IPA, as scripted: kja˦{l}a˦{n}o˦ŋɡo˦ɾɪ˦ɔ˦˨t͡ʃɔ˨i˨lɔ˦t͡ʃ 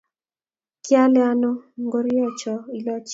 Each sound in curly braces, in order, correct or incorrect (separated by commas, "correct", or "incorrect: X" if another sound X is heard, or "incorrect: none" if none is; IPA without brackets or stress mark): correct, correct